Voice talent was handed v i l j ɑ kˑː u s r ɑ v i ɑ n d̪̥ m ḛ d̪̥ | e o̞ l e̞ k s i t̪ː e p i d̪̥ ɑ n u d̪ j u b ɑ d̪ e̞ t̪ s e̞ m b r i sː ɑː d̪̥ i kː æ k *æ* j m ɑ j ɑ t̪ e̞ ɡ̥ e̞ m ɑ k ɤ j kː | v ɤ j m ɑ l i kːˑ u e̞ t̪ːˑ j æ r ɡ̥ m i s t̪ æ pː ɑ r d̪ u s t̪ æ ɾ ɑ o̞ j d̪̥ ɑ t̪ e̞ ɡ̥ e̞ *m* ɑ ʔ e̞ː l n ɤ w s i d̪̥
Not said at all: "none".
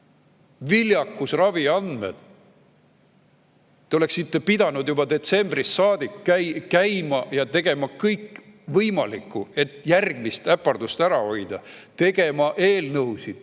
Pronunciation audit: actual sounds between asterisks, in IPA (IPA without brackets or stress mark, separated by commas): æ, m